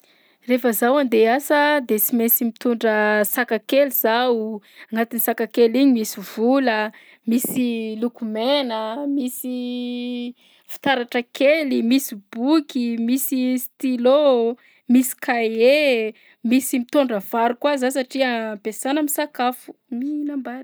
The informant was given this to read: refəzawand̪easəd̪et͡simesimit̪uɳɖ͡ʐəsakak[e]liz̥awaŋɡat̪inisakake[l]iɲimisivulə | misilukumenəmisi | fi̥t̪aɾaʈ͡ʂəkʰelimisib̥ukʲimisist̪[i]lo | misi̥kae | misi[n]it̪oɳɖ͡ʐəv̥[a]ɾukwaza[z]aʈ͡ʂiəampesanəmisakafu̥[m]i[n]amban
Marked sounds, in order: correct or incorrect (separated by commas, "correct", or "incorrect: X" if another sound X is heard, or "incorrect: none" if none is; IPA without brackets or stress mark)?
correct, correct, correct, incorrect: m, correct, incorrect: s, correct, correct